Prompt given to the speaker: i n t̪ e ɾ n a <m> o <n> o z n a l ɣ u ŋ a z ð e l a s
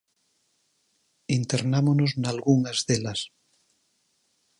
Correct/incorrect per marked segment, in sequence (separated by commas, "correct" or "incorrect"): correct, correct